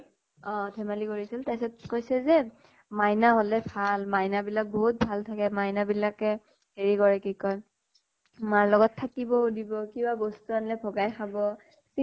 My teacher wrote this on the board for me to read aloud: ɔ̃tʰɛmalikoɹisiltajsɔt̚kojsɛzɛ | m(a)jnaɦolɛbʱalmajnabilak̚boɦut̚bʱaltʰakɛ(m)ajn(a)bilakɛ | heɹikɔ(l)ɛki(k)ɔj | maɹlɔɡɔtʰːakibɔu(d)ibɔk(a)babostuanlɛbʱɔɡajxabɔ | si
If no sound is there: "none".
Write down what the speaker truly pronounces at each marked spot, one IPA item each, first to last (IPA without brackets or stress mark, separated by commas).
a, m, a, ɹ, k, d, i